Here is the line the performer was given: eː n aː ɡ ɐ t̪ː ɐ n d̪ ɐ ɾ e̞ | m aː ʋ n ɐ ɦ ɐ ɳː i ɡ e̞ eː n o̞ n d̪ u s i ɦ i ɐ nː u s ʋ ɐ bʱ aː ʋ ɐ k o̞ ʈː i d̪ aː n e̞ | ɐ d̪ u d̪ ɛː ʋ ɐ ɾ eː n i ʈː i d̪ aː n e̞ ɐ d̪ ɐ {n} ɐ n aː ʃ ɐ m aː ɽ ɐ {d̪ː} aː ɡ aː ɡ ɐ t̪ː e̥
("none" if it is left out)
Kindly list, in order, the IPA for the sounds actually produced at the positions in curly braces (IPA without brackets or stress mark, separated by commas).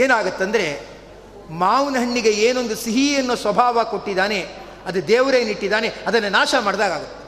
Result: nː, d̪